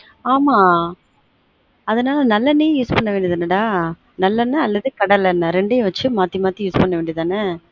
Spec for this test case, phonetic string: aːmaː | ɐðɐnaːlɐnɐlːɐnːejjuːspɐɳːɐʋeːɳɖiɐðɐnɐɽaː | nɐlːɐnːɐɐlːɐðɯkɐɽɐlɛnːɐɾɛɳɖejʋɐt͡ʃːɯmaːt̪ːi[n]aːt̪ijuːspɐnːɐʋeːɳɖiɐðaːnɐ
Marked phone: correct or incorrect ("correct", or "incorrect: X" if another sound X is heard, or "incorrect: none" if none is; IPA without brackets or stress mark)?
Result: incorrect: m